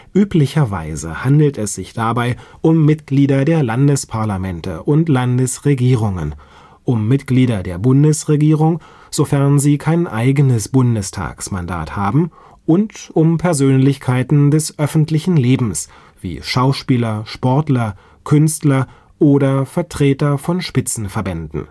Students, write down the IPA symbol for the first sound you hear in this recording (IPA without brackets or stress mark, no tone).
ʔ